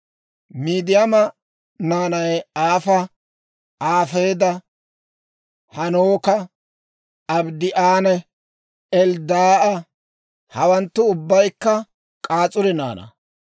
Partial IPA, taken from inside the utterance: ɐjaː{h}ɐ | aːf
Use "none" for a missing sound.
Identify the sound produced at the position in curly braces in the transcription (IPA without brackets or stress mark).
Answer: f